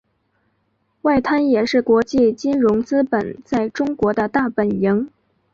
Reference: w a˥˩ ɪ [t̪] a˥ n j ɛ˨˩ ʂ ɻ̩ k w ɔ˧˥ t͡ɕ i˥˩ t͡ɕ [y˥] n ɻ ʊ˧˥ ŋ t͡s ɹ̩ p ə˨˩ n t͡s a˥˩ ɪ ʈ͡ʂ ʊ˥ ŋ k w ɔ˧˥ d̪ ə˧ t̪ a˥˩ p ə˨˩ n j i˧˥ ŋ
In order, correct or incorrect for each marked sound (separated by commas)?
incorrect, incorrect